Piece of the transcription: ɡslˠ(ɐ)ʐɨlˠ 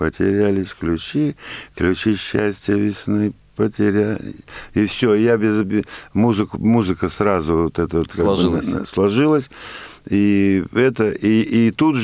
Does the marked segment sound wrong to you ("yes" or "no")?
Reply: no